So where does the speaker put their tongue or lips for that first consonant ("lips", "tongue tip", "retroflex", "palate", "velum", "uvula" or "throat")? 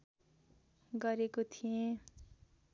velum